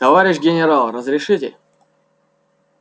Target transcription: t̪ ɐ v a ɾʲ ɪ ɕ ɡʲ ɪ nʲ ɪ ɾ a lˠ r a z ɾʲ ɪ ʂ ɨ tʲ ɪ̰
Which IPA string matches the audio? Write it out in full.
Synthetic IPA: t̪ ɐ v a ɾʲ ɪ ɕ ɡʲ ɪ nʲ ɪ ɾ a lˠ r ə z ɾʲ ɪ ʂ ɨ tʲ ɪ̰